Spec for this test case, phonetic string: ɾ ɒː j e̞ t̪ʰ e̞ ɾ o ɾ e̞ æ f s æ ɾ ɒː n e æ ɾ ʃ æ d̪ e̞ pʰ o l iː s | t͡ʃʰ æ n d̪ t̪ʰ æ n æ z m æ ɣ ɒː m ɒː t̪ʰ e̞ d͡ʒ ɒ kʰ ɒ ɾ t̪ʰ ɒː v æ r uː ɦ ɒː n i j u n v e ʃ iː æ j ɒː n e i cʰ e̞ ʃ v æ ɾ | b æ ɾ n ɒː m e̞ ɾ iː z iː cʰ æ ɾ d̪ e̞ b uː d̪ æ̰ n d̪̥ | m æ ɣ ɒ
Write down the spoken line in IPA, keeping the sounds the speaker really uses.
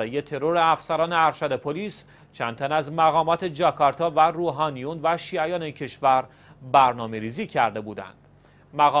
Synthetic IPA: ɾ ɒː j e̞ t̪ʰ e̞ ɾ o ɾ e̞ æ f s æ ɾ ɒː n e æ ɾ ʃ æ d̪ e̞ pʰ o l iː s | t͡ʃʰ æ n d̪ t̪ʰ æ n æ z m æ ɣ ɒː m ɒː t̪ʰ e̞ d͡ʒ ɒ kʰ ɒ ɾ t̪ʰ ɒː v æ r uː ɦ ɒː n i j u n v æ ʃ iː æ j ɒː n e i cʰ e̞ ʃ v æ ɾ | b æ ɾ n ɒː m e̞ ɾ iː z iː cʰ æ ɾ d̪ e̞ b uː d̪ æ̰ n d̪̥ | m æ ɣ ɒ